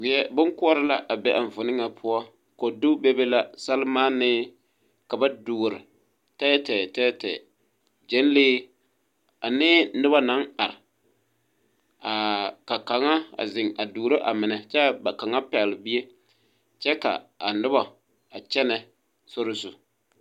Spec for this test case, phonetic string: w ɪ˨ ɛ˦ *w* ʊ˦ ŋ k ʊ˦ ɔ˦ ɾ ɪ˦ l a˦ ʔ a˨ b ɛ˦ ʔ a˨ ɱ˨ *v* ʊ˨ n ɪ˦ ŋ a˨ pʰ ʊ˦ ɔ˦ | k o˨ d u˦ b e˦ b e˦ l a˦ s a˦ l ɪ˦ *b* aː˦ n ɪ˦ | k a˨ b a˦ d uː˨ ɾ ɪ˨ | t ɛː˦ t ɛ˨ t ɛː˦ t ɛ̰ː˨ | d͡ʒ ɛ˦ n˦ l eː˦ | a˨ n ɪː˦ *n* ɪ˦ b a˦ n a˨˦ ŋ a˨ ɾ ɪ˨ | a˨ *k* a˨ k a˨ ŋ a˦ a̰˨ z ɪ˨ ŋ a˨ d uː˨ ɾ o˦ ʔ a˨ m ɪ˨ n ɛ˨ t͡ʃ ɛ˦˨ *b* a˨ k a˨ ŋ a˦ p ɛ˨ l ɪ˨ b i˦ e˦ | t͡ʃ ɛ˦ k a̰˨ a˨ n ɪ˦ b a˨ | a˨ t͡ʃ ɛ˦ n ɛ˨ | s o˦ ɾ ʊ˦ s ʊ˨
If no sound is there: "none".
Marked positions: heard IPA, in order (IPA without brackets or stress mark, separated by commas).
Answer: b, v, m, n, k, b